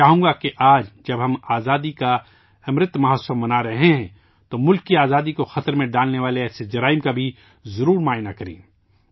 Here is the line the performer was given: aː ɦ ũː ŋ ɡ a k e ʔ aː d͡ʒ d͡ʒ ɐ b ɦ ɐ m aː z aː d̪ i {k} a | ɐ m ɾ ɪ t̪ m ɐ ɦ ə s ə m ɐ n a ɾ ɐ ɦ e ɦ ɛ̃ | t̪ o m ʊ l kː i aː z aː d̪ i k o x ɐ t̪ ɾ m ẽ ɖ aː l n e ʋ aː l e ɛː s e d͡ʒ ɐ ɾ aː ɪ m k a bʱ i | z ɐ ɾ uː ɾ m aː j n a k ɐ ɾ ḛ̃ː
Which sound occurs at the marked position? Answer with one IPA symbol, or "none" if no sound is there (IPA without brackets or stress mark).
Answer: k